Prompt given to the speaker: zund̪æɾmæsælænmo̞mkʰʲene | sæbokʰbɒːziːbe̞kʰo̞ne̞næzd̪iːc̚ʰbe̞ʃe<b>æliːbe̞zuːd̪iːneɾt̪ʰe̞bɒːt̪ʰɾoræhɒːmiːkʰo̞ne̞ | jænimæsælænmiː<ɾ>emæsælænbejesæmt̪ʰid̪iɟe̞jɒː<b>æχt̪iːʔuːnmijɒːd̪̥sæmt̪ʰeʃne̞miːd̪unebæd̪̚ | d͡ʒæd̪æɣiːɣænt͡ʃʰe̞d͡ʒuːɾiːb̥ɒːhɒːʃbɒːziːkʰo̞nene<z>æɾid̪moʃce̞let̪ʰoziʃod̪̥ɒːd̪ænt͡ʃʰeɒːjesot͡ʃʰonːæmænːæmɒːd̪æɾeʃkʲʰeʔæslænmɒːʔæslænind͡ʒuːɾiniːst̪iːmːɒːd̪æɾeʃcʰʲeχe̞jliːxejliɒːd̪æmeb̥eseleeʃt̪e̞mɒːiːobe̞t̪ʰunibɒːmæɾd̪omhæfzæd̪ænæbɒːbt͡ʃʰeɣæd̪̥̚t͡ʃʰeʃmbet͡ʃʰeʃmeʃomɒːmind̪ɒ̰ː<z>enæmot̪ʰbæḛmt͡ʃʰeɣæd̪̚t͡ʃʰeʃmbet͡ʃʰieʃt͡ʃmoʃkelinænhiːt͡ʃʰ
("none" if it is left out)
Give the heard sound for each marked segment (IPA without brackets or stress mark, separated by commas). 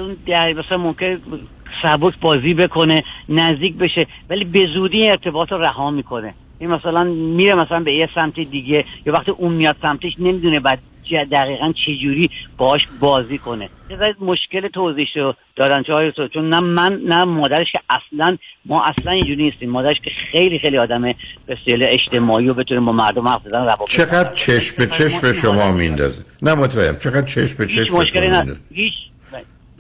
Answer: v, ɾ, v, z, z